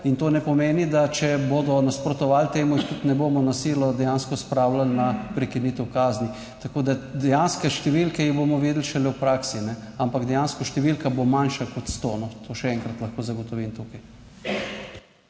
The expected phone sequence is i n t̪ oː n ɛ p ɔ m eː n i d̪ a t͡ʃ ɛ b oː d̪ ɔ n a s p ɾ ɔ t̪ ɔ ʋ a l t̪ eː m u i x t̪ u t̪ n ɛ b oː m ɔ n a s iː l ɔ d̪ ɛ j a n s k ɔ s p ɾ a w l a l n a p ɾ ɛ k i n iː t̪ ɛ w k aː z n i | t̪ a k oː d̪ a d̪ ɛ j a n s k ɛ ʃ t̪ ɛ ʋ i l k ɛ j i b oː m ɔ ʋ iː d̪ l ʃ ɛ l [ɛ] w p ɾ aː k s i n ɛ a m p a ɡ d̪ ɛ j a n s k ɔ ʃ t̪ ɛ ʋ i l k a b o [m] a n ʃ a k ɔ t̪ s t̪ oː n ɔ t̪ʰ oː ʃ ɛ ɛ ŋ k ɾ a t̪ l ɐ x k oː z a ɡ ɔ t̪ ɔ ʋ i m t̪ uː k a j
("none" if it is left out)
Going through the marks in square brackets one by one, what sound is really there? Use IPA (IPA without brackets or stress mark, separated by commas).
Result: ɛ, m